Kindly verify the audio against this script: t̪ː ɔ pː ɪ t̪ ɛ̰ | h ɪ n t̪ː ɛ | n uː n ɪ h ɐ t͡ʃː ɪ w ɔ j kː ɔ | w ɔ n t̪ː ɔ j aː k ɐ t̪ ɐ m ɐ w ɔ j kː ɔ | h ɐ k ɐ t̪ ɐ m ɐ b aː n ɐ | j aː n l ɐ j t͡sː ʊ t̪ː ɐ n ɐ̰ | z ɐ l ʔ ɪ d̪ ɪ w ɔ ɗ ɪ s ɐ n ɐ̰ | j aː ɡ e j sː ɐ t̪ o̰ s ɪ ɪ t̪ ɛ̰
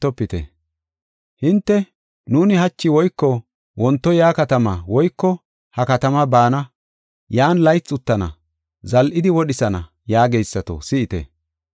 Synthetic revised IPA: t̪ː ɔ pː ɪ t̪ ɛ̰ | h ɪ n t̪ː ɛ | n uː n ɪ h ɐ t͡ʃː ɪ w ɔ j kː ɔ | w ɔ n t̪ː ɔ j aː k ɐ t̪ ɐ m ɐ w ɔ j kː ɔ | h ɐ k ɐ t̪ ɐ m ɐ b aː n ɐ | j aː n l ɐ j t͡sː ʊ t̪ː ɐ n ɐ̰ | z ɐ l ʔ ɪ d̪ ɪ w ɔ ɗ ɪ s ɐ n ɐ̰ | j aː ɡ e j sː ɐ t̪ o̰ s ɪ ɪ t̪ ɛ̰